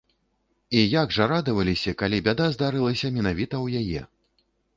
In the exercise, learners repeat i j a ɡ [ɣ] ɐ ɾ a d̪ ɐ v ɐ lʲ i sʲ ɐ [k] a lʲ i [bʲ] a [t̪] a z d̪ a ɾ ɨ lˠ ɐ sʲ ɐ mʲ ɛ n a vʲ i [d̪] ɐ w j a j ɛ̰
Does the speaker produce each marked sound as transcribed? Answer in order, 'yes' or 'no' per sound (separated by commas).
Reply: no, yes, yes, no, no